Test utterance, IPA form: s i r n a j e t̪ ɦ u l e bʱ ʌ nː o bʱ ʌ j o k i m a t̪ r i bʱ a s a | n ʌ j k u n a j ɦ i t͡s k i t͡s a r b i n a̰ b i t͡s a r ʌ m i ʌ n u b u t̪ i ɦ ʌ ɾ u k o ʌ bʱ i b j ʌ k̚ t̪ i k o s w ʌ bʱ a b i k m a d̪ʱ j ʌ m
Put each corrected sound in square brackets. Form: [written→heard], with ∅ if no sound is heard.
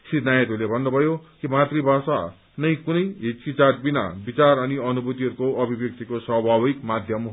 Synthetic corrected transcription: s i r n a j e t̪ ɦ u l e bʱ ʌ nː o bʱ ʌ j o k i m a t̪ r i bʱ a s a | n ʌ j k u n [a→ʌ] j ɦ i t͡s k i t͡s a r b i n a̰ b i t͡s a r ʌ [m→n] i ʌ n u b u t̪ i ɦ ʌ ɾ u k o ʌ bʱ i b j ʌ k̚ t̪ i k o s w ʌ bʱ a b i k m a d̪ʱ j ʌ m